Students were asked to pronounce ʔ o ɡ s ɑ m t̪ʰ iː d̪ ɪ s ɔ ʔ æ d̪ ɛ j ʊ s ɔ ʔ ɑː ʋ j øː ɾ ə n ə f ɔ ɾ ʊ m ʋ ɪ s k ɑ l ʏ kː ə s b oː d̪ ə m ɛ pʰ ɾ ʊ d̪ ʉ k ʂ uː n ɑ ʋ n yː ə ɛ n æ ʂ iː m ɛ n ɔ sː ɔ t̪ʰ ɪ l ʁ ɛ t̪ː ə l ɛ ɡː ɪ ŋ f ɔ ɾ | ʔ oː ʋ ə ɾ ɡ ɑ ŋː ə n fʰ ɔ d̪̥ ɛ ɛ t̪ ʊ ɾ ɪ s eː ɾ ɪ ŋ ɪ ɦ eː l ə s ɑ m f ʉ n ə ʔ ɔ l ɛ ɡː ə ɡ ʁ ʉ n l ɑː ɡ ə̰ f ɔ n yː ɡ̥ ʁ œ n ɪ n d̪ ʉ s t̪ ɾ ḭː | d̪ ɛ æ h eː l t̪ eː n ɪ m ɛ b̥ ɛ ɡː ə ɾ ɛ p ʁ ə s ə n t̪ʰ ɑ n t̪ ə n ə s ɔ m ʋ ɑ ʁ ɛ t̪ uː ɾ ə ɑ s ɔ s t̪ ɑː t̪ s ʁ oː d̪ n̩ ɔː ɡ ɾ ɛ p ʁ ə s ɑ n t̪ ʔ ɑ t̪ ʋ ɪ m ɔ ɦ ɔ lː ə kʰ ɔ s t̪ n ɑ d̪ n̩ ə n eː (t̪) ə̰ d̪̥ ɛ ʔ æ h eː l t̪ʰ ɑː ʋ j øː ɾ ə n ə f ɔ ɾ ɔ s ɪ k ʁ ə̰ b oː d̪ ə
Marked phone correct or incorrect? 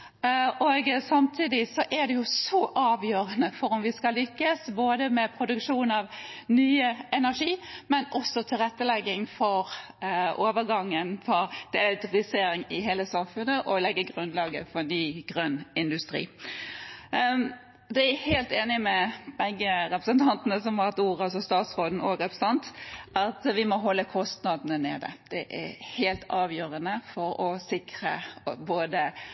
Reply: incorrect